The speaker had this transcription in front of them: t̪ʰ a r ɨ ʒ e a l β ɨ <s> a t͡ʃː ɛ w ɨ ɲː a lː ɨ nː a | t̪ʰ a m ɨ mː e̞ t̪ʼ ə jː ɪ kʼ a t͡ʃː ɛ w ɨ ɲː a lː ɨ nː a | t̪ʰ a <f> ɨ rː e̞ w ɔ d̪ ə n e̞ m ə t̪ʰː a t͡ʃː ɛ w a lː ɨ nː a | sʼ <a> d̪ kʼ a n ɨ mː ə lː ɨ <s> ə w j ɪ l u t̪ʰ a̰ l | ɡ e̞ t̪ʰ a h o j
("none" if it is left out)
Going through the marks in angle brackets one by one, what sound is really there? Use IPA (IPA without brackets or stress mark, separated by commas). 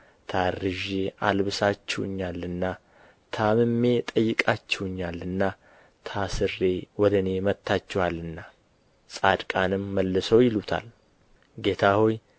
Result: s, s, a, s